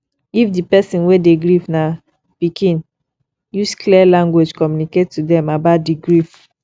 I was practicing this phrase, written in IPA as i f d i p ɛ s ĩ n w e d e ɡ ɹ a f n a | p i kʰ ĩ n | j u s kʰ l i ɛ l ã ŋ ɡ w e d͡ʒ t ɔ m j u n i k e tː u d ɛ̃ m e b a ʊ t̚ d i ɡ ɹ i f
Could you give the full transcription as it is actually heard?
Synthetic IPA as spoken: i f d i p ɛ s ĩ n w e d e ɡ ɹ i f n a | p i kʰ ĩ n | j u s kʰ l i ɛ l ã ŋ ɡ w e d͡ʒ k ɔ m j u n i k e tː u d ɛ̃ m a b a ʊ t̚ d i ɡ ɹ i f